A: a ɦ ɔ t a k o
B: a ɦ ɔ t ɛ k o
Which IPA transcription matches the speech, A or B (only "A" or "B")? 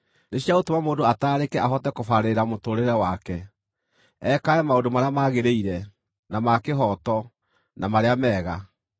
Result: B